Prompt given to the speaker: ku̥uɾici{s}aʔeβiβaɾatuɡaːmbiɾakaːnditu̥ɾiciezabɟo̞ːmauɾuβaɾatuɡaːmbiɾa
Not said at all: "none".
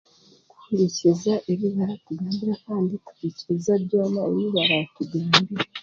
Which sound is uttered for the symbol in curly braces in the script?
z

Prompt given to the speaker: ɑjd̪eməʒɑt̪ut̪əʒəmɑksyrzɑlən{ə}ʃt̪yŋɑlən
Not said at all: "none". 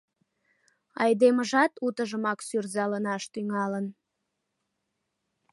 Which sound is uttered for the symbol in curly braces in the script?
ɑ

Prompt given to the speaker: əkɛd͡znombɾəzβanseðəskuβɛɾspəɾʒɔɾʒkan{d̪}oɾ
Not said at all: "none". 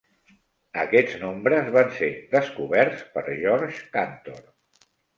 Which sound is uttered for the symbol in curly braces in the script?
t̪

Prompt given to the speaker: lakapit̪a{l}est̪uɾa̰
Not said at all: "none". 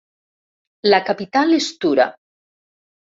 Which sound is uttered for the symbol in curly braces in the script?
l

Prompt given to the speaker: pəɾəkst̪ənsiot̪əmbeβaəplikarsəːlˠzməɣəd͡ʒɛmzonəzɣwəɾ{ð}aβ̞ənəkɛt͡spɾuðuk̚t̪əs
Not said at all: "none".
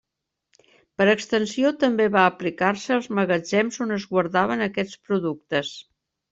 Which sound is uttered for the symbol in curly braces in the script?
ð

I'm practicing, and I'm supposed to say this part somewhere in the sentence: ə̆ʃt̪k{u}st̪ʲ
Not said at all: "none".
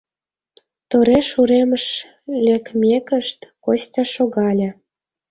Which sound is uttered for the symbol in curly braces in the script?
o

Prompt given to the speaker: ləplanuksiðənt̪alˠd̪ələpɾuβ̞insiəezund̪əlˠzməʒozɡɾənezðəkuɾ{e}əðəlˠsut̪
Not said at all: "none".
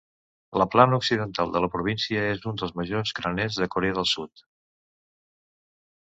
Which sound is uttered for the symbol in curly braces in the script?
e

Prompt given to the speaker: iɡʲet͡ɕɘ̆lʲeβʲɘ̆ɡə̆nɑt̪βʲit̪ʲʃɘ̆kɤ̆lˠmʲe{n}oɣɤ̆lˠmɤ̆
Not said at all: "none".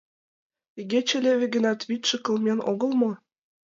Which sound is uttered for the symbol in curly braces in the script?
n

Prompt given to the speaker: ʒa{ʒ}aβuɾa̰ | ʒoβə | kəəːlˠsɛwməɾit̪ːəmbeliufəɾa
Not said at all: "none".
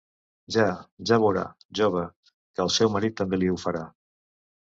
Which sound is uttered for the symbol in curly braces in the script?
ʒ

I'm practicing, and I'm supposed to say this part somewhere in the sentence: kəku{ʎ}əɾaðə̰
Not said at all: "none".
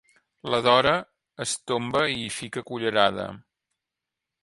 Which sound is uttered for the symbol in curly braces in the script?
ʎ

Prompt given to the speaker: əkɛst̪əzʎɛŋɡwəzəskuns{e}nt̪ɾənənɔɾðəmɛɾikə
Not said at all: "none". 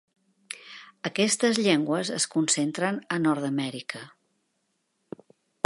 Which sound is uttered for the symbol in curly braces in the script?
e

